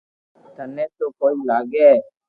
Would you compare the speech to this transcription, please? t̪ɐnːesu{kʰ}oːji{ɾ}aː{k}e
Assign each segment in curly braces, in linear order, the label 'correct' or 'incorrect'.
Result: incorrect, incorrect, incorrect

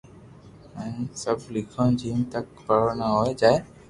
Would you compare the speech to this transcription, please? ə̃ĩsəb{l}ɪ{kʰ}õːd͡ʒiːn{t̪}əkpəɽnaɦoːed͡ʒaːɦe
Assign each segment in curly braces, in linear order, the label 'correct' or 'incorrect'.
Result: correct, correct, correct

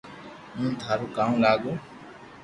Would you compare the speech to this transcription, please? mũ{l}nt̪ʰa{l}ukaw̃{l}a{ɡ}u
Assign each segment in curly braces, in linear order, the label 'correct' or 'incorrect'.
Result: incorrect, incorrect, correct, correct

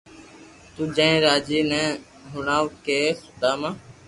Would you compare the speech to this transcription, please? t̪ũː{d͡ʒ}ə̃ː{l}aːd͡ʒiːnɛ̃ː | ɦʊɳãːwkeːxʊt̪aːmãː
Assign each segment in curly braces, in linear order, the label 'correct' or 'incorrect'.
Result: correct, incorrect

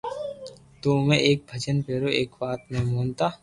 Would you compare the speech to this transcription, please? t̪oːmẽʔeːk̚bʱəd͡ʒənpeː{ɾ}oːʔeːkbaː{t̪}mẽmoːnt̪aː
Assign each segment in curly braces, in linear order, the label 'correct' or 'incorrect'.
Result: correct, correct

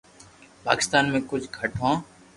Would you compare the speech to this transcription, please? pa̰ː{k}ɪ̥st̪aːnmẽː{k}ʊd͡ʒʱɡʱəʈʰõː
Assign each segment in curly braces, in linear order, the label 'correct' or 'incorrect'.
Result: correct, correct

